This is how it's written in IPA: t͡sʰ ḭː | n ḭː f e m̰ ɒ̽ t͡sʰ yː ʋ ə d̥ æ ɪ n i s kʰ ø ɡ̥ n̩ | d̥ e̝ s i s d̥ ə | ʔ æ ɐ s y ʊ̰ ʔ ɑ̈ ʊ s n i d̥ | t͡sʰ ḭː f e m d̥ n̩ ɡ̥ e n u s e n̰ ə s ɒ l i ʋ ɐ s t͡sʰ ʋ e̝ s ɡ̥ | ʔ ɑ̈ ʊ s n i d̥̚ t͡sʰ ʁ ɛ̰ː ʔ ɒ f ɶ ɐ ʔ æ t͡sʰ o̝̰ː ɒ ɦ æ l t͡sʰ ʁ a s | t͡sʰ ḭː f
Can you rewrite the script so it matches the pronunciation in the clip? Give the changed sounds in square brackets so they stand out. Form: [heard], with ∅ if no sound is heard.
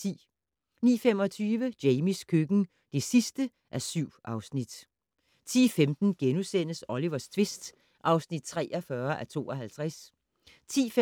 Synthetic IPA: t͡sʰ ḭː | n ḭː f e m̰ ɒ̽ t͡sʰ yː ʋ ə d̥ [e] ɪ [m] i s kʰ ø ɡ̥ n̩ | d̥ e̝ s i s d̥ ə | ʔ æ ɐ s y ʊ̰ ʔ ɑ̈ ʊ s n i d̥ | t͡sʰ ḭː f e m d̥ n̩ ɡ̥ e n u s e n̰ ə s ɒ l i ʋ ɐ s t͡sʰ ʋ e̝ s [d̥] | ʔ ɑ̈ ʊ s n i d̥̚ t͡sʰ ʁ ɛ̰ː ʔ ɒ f ɶ ɐ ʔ æ t͡sʰ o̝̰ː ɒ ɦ æ l t͡sʰ ʁ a s | t͡sʰ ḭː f